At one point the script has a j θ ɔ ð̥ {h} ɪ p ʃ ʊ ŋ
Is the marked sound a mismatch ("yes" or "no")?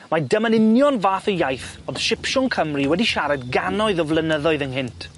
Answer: yes